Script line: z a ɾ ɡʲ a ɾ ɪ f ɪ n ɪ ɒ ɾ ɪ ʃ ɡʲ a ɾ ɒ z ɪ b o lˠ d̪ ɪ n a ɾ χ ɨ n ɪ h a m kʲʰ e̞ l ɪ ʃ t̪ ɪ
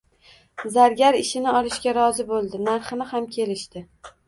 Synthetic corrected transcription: z a ɾ ɡʲ a ɾ ɪ ʃ ɪ n ɪ ɒ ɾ ɪ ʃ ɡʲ a ɾ ɒ z ɪ b o lˠ d̪ ɪ n a ɾ χ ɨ n ɪ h a m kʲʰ e̞ l ɪ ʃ t̪ ɪ